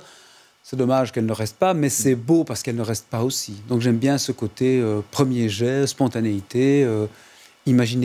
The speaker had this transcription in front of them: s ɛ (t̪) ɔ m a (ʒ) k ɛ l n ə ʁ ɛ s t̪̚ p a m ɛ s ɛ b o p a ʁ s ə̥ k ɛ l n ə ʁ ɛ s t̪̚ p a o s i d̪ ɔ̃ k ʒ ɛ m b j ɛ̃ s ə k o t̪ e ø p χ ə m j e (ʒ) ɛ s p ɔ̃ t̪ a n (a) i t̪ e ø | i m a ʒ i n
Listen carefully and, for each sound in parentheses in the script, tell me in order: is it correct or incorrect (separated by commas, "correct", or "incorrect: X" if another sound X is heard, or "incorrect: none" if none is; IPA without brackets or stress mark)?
incorrect: d̪, correct, correct, incorrect: e